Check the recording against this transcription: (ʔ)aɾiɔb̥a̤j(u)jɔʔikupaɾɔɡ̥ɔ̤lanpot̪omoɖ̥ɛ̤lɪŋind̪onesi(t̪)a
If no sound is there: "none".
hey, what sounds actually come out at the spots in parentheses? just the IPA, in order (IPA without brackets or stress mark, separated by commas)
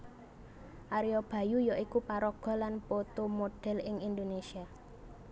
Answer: ʔ, u, none